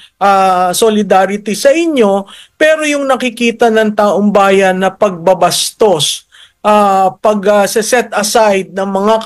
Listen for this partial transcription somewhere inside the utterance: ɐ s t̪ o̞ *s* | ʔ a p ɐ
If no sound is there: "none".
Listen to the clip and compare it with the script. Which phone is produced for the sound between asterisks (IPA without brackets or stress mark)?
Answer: s